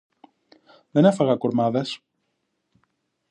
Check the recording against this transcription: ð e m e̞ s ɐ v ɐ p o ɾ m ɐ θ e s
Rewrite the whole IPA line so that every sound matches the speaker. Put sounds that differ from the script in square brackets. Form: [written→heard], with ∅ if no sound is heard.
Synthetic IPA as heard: ð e [m→n] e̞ [s→f] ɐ [v→ɣ] ɐ [p→k] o ɾ m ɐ [θ→ð] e s